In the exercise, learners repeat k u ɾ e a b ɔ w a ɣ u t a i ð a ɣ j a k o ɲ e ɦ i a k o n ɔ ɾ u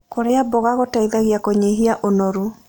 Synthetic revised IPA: k o ɾ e a b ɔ ɣ a ɣ o t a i ð a ɣ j a k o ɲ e ɦ i a ʔ o n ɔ ɾ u